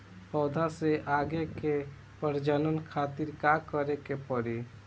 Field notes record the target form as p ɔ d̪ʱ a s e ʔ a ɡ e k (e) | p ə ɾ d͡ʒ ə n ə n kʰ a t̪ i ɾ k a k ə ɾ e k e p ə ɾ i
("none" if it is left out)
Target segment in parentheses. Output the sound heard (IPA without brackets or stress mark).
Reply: e